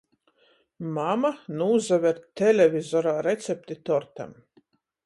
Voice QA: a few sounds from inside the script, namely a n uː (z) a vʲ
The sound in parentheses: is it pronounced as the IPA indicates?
yes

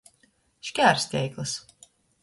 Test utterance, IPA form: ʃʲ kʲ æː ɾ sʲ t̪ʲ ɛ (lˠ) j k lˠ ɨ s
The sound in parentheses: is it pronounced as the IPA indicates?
no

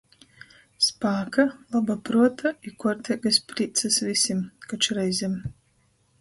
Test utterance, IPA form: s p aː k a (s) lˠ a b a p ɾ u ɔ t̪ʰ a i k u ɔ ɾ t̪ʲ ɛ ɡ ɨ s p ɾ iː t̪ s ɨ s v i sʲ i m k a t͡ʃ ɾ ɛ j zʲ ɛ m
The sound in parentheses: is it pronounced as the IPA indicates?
no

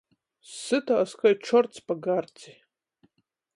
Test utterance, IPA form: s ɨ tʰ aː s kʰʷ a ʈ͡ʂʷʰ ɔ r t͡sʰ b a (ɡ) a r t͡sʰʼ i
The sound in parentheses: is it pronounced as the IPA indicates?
yes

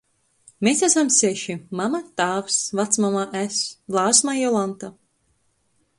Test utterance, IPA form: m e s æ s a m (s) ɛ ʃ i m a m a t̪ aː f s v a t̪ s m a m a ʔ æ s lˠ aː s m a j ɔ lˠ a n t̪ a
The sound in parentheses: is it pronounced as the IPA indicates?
yes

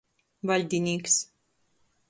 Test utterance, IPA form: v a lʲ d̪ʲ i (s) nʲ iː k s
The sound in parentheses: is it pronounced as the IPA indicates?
no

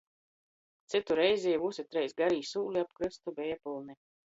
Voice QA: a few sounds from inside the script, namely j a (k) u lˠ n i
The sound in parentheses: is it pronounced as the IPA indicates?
no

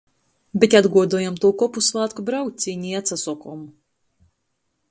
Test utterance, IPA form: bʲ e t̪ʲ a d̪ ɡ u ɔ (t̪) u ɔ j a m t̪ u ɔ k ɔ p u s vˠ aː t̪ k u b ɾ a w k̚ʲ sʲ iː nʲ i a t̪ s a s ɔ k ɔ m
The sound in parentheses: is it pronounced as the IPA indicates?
no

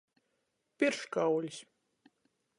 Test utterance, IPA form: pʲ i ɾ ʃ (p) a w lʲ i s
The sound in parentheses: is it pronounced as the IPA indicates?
no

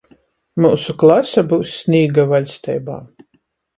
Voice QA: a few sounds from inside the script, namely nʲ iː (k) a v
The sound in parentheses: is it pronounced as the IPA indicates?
no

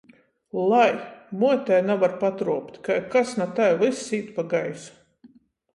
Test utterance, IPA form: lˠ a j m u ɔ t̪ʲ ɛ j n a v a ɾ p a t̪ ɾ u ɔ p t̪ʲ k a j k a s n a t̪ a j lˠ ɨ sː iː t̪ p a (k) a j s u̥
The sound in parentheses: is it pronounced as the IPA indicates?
no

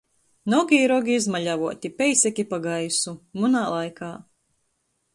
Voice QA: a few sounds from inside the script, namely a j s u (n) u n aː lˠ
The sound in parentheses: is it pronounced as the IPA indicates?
no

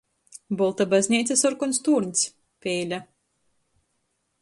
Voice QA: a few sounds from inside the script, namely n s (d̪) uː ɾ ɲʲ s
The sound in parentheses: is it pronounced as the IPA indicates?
no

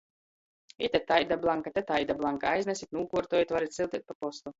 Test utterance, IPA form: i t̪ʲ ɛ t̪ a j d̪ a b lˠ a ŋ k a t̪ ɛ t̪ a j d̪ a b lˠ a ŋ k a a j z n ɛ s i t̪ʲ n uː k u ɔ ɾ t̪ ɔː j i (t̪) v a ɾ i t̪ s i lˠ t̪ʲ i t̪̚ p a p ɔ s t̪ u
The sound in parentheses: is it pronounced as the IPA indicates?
yes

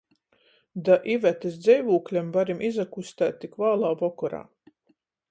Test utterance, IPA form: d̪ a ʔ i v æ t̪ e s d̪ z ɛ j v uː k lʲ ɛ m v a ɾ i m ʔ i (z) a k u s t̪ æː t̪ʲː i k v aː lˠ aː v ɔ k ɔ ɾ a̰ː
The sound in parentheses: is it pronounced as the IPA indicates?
yes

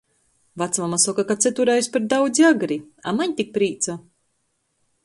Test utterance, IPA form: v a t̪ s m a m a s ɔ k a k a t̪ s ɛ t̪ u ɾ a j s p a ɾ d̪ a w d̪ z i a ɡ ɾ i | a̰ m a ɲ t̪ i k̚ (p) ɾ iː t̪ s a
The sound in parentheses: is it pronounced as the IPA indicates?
yes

